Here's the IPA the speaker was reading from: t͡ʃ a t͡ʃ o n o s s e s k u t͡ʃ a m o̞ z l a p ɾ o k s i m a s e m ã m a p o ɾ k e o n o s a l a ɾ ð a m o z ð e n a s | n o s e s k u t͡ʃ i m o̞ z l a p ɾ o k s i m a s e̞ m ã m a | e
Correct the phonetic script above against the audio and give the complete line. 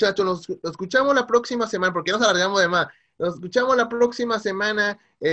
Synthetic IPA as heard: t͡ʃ a t͡ʃ o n o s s e s k u t͡ʃ a m o̞ z l a p ɾ o k s i m a s e m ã n a p o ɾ k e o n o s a l a ɾ ɣ a m o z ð e m a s | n o s e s k u t͡ʃ a m o̞ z l a p ɾ o k s i m a s e̞ m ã n a | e